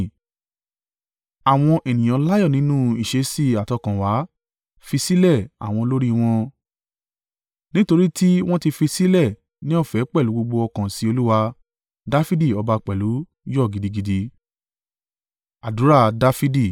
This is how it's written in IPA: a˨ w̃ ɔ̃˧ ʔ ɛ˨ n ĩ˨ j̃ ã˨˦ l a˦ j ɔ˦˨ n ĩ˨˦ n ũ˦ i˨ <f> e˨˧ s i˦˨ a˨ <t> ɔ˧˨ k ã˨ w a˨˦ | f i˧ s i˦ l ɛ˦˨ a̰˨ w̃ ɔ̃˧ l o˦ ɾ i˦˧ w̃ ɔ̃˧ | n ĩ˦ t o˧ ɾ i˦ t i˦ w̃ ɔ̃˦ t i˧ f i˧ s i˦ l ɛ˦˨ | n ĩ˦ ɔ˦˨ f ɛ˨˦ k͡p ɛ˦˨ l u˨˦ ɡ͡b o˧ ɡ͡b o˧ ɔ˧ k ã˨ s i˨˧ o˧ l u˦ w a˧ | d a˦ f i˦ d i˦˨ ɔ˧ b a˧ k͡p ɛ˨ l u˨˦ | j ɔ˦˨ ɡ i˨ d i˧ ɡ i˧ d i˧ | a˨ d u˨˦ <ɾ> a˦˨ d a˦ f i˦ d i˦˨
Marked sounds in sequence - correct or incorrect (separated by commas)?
incorrect, correct, correct